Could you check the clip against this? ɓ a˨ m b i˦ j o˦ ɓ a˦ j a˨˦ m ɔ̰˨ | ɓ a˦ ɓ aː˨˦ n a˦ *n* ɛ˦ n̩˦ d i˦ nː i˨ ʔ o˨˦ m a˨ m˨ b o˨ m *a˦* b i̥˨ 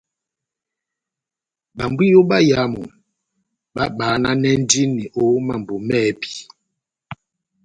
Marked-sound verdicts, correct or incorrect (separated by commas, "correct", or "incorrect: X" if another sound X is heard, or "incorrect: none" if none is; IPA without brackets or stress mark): correct, incorrect: ɛ˦